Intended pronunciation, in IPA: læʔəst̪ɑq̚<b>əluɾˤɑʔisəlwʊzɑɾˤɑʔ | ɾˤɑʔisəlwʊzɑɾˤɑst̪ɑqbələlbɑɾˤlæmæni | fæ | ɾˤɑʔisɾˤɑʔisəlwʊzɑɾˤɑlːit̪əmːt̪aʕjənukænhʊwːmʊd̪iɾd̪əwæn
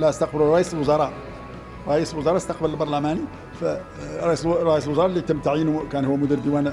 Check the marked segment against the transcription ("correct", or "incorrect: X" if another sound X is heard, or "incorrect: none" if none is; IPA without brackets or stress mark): correct